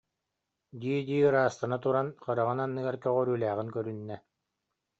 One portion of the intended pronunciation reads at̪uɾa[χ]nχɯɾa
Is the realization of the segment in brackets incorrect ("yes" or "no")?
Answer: yes